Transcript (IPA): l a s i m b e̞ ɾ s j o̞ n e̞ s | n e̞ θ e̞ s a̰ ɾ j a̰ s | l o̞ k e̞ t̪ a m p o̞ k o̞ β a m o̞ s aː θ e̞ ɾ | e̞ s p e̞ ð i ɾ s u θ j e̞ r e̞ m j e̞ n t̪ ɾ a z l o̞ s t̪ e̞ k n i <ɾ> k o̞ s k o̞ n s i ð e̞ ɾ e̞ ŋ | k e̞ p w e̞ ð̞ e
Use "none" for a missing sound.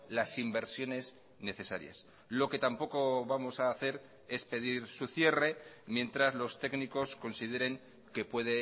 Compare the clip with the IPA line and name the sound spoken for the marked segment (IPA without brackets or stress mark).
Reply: none